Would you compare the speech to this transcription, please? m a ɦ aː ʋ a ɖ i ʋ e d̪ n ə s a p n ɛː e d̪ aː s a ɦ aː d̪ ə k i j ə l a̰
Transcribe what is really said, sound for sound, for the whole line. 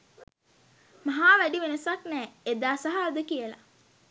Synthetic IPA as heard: m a ɦ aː ʋ æ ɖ i ʋ e n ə s a k n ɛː e d̪ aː s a ɦ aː d̪ ə k i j ə l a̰